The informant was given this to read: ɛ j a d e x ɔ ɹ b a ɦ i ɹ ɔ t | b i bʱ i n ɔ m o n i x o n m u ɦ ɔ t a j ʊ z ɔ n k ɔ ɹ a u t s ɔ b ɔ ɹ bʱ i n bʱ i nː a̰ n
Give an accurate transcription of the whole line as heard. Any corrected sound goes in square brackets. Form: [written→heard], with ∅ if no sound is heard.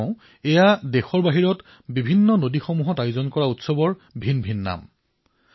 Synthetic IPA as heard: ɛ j a d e x ɔ ɹ b a ɦ i ɹ ɔ t | b i bʱ i [n→nː] ɔ [m→n] o [n→d] i x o [n→∅] m u ɦ ɔ t a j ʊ z ɔ n k ɔ ɹ a u t s ɔ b ɔ ɹ bʱ i n bʱ i nː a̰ [n→m]